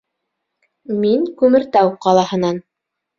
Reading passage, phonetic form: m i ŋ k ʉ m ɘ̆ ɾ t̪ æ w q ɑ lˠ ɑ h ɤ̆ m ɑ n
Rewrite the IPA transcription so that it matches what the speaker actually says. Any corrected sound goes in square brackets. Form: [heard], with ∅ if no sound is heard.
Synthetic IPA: m i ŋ k ʉ m ɘ̆ ɾ t̪ æ w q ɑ lˠ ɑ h ɤ̆ [n] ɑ n